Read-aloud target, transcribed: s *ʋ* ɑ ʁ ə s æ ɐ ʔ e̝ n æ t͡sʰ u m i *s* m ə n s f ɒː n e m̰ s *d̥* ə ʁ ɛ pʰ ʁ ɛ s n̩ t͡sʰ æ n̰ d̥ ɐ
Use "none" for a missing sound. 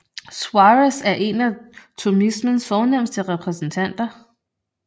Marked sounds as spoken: w, s, d̥

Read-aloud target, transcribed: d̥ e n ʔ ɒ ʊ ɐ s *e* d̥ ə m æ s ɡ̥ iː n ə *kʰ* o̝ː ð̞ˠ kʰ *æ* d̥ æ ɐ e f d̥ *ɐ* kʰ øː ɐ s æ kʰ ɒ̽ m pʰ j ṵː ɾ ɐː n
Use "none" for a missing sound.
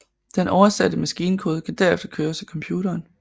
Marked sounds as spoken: æ, kʰ, æ, ɐ

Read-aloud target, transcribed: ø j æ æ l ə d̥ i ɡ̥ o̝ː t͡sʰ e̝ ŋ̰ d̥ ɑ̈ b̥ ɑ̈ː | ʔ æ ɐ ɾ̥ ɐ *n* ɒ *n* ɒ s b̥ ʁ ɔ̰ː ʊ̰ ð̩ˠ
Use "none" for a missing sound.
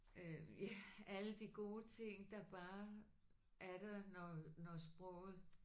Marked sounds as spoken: n, n

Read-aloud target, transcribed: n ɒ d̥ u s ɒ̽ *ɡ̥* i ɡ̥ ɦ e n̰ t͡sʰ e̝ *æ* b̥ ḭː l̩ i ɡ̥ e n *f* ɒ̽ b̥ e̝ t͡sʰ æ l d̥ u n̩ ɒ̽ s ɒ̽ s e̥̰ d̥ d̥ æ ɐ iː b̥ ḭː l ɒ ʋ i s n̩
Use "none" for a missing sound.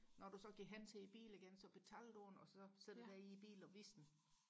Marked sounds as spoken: ɡ̥, i, s

